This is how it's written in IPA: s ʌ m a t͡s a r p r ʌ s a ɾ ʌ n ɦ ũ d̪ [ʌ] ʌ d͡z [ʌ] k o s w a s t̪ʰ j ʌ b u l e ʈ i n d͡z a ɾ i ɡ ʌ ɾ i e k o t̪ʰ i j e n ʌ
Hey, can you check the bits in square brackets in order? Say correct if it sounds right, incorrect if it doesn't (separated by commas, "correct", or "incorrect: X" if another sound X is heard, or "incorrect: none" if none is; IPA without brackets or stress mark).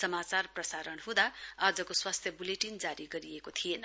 incorrect: a, correct